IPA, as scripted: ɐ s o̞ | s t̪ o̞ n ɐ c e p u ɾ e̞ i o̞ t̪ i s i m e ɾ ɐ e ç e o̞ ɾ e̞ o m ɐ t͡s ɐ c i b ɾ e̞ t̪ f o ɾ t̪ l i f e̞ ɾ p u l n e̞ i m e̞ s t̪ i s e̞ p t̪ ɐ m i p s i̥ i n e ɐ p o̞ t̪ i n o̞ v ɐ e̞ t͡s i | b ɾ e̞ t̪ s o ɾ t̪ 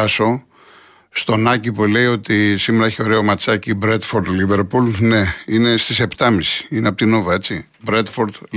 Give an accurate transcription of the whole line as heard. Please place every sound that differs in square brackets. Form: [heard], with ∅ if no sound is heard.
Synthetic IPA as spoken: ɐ s o̞ | s t̪ o̞ n ɐ c [i] p u [l] e̞ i o̞ t̪ i s i m e ɾ ɐ e ç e o̞ ɾ e̞ o m ɐ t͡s ɐ c i b ɾ e̞ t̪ f o ɾ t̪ l i [v] e̞ ɾ p u l n e̞ i [n] e̞ s t̪ i s e̞ p t̪ ɐ m i [∅] s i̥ i n e ɐ p o̞ t̪ i n o̞ v ɐ e̞ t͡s i | b ɾ e̞ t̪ [f] o ɾ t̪